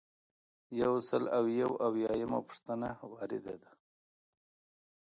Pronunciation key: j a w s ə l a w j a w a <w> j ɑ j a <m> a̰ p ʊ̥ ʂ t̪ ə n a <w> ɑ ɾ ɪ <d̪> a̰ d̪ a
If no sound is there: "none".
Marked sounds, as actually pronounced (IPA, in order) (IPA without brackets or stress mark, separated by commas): w, m, w, d̪